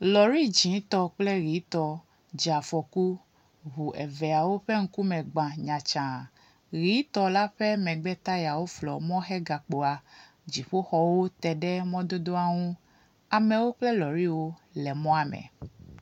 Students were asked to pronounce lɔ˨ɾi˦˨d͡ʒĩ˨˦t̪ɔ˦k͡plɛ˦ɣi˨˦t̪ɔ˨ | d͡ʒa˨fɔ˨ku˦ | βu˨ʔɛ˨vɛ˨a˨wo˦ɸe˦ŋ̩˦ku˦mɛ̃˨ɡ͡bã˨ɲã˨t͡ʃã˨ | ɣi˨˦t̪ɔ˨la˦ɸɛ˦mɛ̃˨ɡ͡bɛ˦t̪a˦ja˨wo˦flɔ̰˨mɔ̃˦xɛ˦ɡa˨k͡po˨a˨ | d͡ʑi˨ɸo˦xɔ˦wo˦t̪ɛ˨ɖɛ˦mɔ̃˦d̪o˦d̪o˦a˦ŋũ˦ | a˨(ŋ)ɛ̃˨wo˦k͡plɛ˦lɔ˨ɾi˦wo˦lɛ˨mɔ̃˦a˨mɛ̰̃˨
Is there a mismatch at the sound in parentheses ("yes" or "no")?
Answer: yes